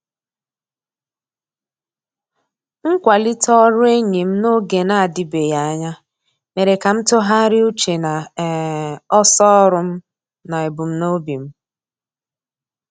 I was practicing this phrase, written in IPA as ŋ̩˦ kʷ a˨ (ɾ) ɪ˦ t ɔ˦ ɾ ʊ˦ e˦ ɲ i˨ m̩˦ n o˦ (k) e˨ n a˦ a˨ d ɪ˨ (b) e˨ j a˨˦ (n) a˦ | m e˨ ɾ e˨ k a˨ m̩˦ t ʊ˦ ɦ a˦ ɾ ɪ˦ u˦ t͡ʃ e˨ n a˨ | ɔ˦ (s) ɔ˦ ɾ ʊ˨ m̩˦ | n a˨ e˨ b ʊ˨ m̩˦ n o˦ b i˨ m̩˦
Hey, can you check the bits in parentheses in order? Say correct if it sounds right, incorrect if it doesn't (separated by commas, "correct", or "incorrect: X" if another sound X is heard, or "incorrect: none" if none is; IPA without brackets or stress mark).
incorrect: l, incorrect: ɡ, correct, incorrect: ɲ, correct